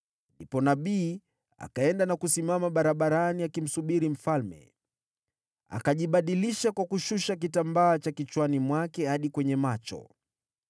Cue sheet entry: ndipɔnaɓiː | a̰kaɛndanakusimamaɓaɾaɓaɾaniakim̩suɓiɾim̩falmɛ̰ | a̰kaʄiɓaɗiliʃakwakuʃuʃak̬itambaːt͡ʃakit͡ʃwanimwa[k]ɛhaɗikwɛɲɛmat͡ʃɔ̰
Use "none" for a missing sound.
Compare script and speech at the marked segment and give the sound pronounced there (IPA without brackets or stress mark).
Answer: k